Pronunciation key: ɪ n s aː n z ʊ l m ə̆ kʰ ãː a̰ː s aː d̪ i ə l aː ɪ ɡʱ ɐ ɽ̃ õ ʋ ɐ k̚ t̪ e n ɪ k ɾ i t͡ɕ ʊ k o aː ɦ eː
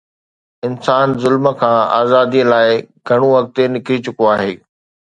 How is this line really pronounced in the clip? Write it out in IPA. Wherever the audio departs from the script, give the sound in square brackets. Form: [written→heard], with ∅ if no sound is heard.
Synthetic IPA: ɪ n s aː n z ʊ l m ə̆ kʰ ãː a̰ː [s→z] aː d̪ i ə l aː ɪ ɡʱ ɐ ɽ̃ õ ʋ ɐ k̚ t̪ e n ɪ k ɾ i t͡ɕ ʊ k o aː ɦ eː